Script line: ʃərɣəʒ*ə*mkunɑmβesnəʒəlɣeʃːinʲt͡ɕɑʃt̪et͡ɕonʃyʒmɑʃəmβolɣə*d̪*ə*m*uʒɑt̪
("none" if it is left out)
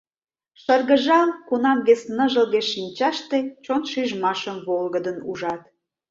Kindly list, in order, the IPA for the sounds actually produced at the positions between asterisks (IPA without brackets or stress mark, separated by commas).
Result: ɑ, d̪, n